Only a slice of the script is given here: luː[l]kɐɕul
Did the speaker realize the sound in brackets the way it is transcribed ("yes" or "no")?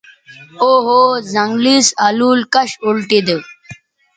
yes